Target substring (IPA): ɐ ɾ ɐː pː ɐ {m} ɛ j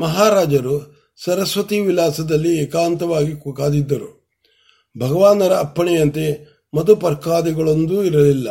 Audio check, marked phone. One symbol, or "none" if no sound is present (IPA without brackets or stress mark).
ɳ